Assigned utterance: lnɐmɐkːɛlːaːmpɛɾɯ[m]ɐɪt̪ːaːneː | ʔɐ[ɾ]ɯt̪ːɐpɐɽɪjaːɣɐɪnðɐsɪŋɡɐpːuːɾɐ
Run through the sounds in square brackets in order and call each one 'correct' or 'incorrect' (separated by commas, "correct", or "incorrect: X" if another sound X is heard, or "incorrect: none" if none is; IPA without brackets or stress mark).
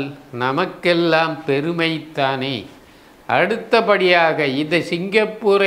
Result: correct, incorrect: ɽ